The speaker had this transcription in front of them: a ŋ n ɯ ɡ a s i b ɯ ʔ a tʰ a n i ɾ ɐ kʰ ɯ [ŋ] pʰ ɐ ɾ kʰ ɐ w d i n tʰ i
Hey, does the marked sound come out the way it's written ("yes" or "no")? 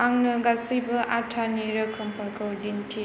no